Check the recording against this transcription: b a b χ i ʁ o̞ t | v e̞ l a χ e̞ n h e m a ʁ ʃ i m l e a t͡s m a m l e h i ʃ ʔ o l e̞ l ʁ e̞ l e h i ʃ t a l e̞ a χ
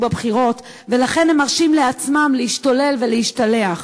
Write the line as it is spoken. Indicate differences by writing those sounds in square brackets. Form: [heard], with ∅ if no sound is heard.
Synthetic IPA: b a b χ i ʁ o̞ t | v e̞ l a χ e̞ n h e m a ʁ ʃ i m l e a t͡s m a m l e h i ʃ [t] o l e̞ l [v] e̞ l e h i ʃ t a l e̞ a χ